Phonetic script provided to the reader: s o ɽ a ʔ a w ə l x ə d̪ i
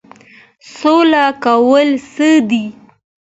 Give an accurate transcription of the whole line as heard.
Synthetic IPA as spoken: s o l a k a w ə l s ə d̪ i